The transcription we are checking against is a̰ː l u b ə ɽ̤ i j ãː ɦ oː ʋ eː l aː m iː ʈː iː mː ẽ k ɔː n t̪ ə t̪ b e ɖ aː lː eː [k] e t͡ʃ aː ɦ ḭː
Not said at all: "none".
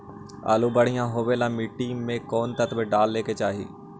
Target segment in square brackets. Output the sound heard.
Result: k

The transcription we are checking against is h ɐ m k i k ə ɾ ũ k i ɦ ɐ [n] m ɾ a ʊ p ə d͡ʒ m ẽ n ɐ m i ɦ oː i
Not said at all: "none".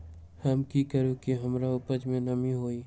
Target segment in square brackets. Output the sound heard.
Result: none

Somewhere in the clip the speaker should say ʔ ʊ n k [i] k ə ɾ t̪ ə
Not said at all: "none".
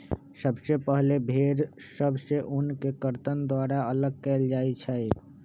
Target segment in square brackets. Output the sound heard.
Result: e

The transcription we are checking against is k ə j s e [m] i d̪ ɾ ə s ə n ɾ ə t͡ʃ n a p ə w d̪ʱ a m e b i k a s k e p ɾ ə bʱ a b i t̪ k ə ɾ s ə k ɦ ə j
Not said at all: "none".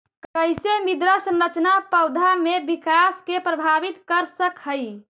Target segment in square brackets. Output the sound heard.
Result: m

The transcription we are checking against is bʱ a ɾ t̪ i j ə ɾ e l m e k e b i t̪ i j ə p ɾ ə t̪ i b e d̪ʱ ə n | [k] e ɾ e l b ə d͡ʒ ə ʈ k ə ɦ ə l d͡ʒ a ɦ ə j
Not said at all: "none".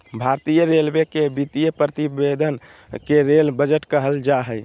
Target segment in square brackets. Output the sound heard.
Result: k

